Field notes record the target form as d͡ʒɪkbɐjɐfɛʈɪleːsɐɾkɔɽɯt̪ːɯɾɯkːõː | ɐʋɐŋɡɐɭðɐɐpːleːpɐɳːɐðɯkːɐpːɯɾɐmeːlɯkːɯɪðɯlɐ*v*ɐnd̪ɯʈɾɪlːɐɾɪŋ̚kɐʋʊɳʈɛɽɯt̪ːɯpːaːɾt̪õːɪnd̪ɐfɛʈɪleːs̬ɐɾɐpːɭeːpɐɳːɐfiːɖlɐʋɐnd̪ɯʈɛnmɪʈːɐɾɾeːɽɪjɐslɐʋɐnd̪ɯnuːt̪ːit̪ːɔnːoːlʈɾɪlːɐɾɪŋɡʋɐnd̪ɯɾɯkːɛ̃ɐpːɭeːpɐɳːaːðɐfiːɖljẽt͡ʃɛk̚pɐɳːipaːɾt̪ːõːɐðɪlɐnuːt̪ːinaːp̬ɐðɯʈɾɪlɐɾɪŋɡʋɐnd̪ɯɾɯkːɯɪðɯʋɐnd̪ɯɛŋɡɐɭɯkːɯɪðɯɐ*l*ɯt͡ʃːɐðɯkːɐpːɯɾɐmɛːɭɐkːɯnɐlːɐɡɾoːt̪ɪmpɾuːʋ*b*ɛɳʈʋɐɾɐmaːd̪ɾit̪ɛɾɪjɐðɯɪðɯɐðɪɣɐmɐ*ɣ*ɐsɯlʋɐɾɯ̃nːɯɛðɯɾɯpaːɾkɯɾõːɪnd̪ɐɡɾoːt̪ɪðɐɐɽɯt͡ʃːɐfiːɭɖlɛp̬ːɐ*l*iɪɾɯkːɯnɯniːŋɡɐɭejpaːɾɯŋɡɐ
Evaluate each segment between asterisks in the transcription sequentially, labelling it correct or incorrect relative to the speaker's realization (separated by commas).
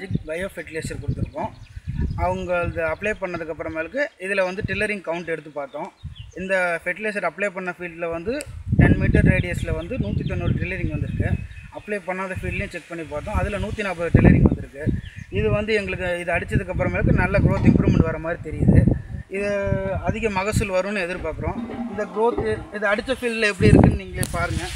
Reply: incorrect, incorrect, incorrect, correct, incorrect